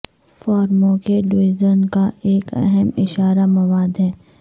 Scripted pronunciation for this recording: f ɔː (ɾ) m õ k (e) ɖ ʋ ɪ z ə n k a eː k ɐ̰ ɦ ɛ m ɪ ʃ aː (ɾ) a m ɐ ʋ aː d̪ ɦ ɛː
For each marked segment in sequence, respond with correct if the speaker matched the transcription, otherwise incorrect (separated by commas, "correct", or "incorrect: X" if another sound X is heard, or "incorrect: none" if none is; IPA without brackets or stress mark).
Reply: correct, correct, correct